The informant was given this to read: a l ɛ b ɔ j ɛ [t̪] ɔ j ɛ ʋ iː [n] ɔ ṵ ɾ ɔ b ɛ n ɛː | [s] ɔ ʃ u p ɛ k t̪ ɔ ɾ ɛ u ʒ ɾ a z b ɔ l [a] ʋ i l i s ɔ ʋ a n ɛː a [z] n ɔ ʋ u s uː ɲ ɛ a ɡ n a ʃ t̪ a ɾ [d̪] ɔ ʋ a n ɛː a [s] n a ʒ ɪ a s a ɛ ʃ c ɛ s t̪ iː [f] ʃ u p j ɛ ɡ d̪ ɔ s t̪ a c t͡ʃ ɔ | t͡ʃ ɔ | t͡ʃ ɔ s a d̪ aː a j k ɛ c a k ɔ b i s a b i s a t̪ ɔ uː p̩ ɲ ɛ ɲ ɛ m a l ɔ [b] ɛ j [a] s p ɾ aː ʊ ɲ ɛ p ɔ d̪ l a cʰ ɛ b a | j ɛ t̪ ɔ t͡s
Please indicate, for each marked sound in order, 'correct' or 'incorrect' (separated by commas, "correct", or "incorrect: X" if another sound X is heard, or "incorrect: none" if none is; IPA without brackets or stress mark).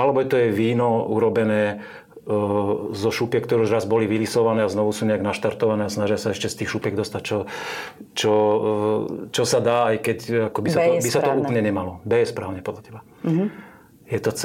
correct, correct, incorrect: z, incorrect: i, correct, incorrect: t̪, correct, incorrect: x, correct, incorrect: ɛ